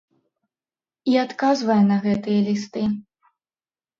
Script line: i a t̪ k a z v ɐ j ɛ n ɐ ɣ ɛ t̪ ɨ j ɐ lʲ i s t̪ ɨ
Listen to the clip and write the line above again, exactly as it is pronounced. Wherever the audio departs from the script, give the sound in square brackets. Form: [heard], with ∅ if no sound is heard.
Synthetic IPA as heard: i a t̪ k a z v ɐ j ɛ n ɐ ɣ ɛ t̪ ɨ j ɐ lʲ i s t̪ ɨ